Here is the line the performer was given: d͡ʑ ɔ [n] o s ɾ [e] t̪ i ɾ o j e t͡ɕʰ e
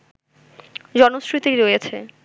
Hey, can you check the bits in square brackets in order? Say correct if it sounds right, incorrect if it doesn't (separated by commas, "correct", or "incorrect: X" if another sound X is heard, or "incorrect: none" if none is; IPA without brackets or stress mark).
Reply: correct, incorrect: i